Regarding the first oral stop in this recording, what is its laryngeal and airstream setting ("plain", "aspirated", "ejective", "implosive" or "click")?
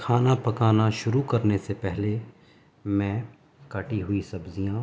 aspirated